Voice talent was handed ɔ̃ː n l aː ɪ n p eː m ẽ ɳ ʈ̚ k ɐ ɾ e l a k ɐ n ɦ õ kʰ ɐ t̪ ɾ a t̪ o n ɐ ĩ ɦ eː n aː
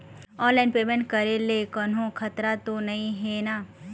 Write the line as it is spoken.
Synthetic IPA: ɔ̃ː n l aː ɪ n p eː m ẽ ɳ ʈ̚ k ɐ ɾ e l e k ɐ n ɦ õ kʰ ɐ t̪ ɾ a t̪ o n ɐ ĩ ɦ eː n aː